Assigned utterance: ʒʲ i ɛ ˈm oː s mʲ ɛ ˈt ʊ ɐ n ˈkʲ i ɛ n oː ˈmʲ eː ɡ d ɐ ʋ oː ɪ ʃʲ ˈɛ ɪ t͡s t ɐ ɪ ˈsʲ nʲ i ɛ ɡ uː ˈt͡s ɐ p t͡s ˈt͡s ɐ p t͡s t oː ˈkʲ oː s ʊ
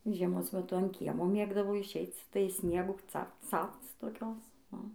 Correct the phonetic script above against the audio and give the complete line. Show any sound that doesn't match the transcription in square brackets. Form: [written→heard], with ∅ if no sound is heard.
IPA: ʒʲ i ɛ ˈm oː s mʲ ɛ ˈt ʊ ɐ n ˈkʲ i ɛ [n→m] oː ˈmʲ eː ɡ d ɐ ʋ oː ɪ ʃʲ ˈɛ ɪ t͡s t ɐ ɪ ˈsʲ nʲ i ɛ ɡ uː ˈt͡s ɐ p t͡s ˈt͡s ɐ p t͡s t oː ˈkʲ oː s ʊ

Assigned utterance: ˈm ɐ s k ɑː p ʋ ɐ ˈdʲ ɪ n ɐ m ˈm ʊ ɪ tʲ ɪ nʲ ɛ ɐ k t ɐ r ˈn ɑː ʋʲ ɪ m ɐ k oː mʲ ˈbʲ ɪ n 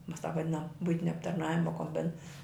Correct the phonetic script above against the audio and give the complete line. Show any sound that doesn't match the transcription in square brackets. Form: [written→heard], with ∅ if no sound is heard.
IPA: ˈm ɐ s [k→t] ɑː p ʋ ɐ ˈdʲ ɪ n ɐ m [ˈm→ˈb] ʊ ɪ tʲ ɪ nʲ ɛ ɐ [k→p] t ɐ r ˈn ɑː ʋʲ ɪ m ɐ k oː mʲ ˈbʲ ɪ n

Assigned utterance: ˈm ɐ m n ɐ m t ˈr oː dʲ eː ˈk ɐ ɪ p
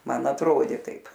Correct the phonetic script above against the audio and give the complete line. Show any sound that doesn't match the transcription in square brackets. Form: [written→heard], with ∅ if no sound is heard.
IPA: ˈm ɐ [m→∅] n ɐ [m→∅] t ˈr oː dʲ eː [ˈk→ˈt] ɐ ɪ p

